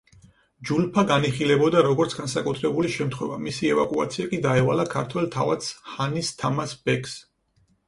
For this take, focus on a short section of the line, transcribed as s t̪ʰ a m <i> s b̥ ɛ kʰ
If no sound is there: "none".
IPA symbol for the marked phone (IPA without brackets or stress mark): a